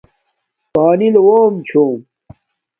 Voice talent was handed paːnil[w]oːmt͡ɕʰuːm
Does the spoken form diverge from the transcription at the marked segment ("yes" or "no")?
no